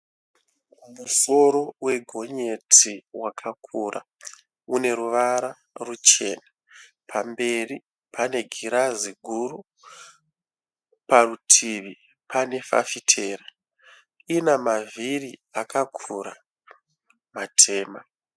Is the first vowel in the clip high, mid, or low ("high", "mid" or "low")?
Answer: high